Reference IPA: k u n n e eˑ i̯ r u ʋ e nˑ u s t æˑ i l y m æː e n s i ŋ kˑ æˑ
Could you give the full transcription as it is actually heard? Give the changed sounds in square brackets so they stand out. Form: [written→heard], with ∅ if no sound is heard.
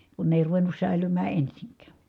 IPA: k u n n e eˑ i̯ r u ʋ e nˑ u s [t→s] æˑ i l y m æː e n s i ŋ kˑ æˑ